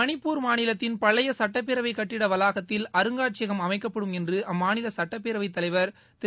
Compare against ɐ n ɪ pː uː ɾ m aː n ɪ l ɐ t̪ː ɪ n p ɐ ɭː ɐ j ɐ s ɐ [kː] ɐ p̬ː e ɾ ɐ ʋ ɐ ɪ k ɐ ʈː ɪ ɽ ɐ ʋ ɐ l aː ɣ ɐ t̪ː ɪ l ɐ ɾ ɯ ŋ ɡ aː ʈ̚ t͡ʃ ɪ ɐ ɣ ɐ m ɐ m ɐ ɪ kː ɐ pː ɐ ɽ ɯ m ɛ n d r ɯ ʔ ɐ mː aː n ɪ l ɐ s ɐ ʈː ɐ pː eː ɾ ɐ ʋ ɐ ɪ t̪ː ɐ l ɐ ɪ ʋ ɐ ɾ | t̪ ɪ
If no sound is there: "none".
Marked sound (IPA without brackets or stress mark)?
ʈː